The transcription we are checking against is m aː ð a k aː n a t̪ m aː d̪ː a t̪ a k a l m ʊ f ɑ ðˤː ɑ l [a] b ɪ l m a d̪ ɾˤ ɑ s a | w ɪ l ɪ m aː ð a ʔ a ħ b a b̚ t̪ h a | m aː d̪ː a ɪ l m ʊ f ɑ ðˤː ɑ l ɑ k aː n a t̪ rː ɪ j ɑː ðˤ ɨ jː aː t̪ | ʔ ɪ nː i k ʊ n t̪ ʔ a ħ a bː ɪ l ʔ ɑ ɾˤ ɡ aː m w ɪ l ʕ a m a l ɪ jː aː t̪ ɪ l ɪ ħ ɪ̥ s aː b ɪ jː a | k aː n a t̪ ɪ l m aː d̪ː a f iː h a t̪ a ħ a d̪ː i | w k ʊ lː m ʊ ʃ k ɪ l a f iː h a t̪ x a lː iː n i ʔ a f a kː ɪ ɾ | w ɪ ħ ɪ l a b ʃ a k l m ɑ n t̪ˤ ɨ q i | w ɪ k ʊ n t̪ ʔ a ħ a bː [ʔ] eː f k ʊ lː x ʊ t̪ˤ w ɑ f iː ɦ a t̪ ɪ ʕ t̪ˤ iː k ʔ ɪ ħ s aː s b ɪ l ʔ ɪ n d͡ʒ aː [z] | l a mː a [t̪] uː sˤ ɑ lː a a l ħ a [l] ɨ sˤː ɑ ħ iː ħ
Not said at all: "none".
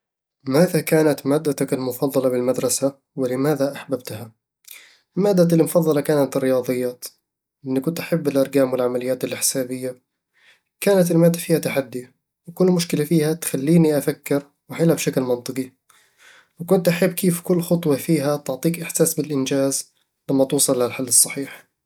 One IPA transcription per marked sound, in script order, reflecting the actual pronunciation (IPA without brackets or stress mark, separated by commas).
ɑ, k, z, t̪, lː